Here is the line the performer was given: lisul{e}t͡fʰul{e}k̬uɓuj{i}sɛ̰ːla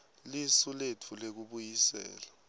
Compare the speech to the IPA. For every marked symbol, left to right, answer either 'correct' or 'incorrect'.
correct, correct, correct

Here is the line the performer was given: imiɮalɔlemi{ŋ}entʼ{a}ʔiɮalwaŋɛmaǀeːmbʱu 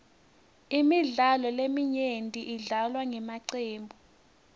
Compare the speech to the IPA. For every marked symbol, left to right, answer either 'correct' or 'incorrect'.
incorrect: ɲ, incorrect: i

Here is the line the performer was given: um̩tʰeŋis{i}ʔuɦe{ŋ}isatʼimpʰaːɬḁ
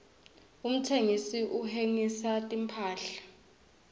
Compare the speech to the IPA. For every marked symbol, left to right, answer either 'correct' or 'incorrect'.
correct, correct

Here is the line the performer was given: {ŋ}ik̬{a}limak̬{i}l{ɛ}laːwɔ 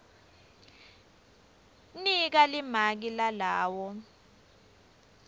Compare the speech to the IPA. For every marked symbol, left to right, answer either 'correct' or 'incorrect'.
incorrect: n, correct, correct, incorrect: a

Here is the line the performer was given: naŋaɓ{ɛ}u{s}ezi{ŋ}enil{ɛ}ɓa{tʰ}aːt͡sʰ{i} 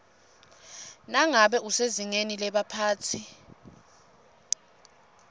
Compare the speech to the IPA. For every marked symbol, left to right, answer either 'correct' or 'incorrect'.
correct, correct, correct, correct, incorrect: pʰ, correct

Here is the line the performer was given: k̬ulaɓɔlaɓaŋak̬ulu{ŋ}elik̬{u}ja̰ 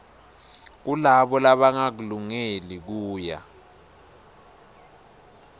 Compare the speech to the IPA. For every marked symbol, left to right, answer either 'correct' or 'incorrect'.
correct, incorrect: uː

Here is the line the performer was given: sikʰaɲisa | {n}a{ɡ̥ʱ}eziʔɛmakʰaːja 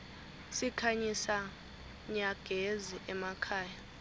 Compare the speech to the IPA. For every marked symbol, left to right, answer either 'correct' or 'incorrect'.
incorrect: ɲ, correct

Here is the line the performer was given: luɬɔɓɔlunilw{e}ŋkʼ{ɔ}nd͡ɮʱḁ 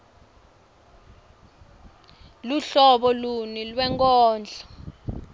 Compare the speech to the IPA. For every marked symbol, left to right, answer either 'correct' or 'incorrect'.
incorrect: ɛ, incorrect: ɔː

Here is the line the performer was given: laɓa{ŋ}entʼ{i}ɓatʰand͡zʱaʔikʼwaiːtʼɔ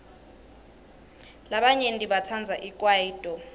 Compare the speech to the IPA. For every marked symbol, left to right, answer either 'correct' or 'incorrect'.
incorrect: ɲ, correct

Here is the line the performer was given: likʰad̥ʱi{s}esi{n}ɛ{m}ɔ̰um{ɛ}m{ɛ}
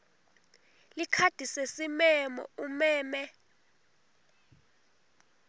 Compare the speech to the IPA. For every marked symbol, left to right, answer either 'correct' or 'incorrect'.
correct, incorrect: m, correct, incorrect: ɛː, correct

